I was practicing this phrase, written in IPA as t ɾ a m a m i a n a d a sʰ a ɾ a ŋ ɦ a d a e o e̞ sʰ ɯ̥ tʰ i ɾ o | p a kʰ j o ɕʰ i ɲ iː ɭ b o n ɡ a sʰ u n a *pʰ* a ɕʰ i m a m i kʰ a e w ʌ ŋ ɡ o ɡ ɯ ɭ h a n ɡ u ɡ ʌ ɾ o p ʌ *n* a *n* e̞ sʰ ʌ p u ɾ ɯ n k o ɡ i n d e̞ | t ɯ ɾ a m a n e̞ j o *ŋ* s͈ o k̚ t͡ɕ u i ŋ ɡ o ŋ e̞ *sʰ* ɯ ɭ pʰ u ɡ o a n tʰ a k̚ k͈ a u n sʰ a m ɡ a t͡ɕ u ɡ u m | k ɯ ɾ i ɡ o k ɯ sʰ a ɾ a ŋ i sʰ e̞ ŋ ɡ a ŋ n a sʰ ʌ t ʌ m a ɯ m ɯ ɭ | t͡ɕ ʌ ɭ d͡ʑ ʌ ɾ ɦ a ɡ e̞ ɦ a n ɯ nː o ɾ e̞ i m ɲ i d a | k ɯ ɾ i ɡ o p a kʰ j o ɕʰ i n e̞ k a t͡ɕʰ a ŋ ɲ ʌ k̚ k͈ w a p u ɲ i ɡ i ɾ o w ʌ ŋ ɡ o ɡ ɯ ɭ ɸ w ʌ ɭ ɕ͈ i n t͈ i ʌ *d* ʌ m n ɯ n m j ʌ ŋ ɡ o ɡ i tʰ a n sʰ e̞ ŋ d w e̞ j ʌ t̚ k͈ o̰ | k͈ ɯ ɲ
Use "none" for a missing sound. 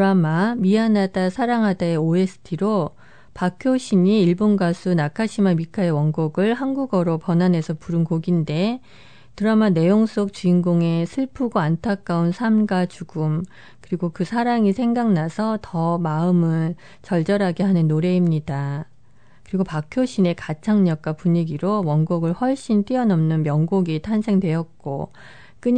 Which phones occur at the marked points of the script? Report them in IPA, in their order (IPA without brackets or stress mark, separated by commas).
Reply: kʰ, n, n, ŋ, sʰ, n